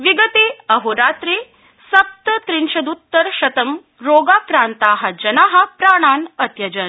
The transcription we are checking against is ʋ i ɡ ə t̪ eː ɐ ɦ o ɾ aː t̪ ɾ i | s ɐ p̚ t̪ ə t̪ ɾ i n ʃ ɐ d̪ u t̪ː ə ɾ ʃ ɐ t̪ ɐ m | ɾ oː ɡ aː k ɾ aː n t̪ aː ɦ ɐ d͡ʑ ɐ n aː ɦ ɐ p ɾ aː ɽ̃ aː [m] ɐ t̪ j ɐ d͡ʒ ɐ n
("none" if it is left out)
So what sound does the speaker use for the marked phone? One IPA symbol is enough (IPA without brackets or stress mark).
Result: n